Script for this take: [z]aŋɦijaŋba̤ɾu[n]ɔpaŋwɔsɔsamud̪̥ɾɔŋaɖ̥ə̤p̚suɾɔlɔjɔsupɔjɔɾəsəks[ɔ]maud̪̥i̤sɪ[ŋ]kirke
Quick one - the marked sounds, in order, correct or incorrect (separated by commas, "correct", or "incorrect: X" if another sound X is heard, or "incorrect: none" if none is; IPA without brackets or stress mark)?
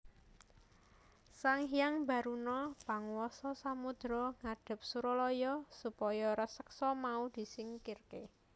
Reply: incorrect: s, correct, correct, correct